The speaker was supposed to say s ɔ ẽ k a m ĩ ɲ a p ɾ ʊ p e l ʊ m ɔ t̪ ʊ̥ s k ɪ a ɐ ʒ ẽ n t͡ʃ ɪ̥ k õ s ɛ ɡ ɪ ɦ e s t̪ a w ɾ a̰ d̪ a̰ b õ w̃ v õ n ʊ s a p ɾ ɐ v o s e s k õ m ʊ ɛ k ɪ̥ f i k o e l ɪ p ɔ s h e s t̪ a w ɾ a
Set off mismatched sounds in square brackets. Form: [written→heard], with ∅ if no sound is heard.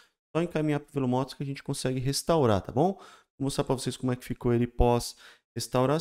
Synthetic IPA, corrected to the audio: s ɔ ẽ k a m ĩ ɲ a p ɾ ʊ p e l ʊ m ɔ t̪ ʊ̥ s k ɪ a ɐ ʒ ẽ n t͡ʃ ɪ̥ k õ s ɛ ɡ ɪ ɦ e s t̪ a w ɾ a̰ [d̪→t̪] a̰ b õ w̃ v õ [n→m] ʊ s a p ɾ ɐ v o s e s k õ m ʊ ɛ k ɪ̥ f i k o e l ɪ p ɔ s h e s t̪ a w ɾ a